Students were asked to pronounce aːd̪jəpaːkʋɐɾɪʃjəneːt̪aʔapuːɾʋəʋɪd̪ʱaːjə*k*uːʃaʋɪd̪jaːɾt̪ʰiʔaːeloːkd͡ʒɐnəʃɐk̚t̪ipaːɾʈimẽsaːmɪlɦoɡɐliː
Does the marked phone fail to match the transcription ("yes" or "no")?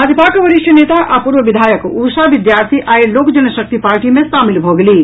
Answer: no